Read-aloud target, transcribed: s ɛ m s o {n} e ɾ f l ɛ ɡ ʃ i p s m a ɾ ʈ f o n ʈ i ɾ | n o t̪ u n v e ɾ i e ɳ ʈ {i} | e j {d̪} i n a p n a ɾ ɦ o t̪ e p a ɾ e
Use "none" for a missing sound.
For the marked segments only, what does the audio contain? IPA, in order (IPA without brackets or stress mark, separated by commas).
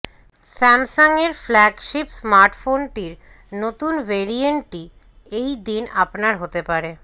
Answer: ŋ, i, d̪